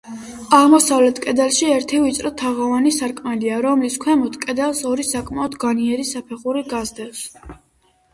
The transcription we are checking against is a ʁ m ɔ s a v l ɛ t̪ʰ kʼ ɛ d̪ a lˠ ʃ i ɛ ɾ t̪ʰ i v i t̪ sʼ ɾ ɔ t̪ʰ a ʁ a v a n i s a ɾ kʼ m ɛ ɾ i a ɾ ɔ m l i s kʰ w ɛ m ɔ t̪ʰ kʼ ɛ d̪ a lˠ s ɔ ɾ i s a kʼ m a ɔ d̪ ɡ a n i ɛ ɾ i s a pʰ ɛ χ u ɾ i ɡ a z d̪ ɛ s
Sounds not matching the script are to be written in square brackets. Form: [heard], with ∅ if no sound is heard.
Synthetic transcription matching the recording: a ʁ m ɔ s a v l ɛ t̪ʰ kʼ ɛ d̪ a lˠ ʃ i ɛ ɾ t̪ʰ i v i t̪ sʼ ɾ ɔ t̪ʰ a ʁ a v a n i s a ɾ kʼ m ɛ [l] i a ɾ ɔ m l i s kʰ w ɛ m ɔ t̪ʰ kʼ ɛ d̪ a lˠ s ɔ ɾ i s a kʼ m a ɔ d̪ ɡ a n i ɛ ɾ i s a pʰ ɛ χ u ɾ i ɡ a z d̪ ɛ s